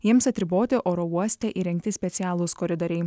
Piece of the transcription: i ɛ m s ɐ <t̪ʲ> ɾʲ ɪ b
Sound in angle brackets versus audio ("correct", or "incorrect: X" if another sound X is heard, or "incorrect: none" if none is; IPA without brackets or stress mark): correct